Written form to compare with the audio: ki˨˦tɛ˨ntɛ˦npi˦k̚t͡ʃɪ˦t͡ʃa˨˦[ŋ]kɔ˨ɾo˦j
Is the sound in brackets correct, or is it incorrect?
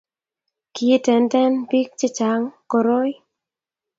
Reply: correct